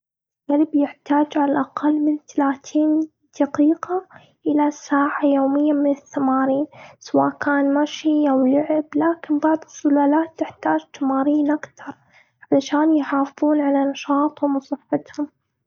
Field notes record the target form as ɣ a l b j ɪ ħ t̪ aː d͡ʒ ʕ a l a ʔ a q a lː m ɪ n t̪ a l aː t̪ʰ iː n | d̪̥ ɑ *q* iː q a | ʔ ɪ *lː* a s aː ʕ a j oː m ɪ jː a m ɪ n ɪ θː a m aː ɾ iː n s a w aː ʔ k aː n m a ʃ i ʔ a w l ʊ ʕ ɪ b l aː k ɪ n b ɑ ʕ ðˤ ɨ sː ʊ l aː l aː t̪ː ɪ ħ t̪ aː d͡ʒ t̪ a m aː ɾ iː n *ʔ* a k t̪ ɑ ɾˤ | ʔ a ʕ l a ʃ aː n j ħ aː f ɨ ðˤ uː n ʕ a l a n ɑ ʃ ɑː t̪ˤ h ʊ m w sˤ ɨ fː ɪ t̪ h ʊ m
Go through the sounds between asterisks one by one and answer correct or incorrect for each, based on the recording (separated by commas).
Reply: correct, incorrect, correct